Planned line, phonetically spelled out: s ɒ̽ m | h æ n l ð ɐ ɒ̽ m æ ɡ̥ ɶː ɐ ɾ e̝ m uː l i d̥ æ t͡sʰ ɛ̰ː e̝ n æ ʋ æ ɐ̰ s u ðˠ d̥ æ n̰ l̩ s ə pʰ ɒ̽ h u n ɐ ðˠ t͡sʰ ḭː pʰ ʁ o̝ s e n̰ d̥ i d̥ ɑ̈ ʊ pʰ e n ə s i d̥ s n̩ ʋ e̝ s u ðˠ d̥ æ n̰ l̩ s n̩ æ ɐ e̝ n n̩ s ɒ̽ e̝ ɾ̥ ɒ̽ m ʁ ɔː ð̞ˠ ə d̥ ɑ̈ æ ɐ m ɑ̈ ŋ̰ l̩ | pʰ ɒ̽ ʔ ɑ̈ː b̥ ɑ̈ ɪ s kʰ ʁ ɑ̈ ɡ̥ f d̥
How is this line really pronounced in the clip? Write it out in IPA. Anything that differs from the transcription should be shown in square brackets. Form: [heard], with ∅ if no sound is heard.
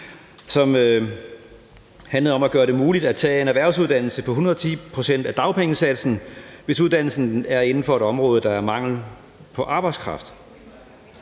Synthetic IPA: s ɒ̽ m | h æ n l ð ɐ ɒ̽ m æ ɡ̥ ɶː ɐ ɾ e̝ m uː l i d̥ æ t͡sʰ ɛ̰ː e̝ n æ ʋ æ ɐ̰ s u ðˠ d̥ æ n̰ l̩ s ə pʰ ɒ̽ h u n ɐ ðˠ t͡sʰ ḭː pʰ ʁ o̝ s e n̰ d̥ [æ] d̥ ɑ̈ ʊ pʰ e [ŋ] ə s [æ] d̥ s n̩ ʋ e̝ s u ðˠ d̥ æ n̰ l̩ s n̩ æ ɐ e̝ n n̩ [f] ɒ̽ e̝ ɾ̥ ɒ̽ m ʁ ɔː ð̞ˠ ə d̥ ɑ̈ æ ɐ m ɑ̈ ŋ̰ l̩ | pʰ ɒ̽ ʔ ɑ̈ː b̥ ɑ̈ ɪ s kʰ ʁ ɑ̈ [∅] f d̥

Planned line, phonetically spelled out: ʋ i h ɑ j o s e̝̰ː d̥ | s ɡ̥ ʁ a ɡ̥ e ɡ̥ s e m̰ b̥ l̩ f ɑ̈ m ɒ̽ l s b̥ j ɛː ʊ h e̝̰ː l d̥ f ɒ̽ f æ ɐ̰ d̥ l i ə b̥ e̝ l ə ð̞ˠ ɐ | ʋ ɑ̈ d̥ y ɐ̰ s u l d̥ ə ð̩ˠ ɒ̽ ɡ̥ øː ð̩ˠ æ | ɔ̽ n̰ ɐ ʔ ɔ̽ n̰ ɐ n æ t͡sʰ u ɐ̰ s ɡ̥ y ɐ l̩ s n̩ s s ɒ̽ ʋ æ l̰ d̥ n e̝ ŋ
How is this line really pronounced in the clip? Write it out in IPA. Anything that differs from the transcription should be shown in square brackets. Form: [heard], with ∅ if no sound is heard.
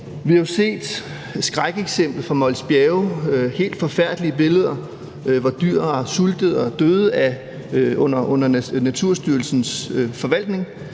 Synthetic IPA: ʋ i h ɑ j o s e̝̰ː d̥ | s ɡ̥ ʁ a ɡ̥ e ɡ̥ s e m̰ b̥ l̩ f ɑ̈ m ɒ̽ l s b̥ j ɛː ʊ h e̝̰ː l d̥ f ɒ̽ f æ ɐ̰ d̥ l i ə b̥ e̝ l ə ð̞ˠ ɐ | ʋ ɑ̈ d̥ y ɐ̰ s u l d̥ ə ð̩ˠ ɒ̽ [d̥] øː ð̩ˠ æ | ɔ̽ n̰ ɐ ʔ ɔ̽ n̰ ɐ n æ t͡sʰ u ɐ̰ s [d̥] y ɐ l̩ s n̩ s [f] ɒ̽ ʋ æ l̰ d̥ n e̝ ŋ

